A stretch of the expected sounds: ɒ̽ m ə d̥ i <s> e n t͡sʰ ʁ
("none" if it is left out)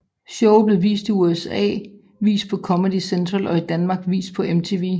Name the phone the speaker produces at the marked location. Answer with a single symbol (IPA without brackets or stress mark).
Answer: s